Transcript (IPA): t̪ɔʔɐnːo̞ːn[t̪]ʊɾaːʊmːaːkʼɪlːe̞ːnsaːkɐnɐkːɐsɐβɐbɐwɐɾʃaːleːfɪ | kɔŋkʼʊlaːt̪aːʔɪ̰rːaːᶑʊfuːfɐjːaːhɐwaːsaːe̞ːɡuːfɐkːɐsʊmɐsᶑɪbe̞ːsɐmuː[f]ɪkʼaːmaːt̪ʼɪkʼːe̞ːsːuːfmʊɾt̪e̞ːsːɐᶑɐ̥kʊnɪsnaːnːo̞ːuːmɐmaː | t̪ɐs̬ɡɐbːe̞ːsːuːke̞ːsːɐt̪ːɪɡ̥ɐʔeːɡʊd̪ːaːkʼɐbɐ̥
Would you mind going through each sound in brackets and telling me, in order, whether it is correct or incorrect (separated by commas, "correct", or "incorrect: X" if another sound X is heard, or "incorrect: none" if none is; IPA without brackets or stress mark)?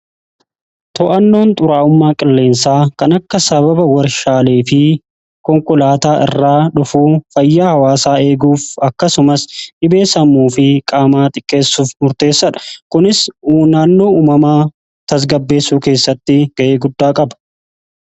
incorrect: t̪ʼ, correct